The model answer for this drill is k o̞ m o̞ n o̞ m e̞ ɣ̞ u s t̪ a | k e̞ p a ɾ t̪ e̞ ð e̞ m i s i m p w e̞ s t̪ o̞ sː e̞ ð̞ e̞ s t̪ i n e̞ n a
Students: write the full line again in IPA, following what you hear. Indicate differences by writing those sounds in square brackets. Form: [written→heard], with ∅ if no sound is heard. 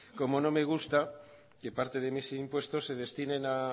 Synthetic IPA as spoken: k o̞ m o̞ n o̞ m e̞ ɣ̞ u s t̪ a | k e̞ p a ɾ t̪ e̞ ð e̞ m i s i m p w e̞ s t̪ o̞ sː e̞ ð̞ e̞ s t̪ i n e̞ n a